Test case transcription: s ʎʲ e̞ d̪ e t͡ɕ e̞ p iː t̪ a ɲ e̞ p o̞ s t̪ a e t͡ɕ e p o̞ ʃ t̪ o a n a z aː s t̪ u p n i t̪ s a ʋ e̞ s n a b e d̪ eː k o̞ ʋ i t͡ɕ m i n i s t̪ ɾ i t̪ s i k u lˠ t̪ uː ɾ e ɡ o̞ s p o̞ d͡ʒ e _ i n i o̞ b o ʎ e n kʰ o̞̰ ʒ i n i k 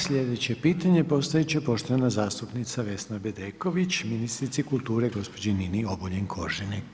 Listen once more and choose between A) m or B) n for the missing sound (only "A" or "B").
B